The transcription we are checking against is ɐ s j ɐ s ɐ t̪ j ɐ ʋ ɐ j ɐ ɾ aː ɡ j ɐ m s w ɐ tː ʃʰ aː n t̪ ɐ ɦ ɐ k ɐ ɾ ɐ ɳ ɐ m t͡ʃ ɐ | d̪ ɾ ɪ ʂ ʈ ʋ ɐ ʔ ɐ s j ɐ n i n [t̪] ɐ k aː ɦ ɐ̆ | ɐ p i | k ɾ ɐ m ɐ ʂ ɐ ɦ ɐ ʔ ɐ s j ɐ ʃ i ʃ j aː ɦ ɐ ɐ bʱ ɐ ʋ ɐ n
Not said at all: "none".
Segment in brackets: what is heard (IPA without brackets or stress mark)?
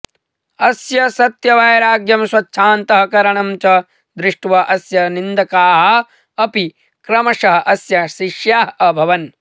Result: d̪